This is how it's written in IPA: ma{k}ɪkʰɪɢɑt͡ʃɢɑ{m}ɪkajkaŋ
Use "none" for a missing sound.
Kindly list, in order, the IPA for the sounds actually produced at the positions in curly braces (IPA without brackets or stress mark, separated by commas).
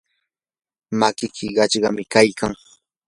k, m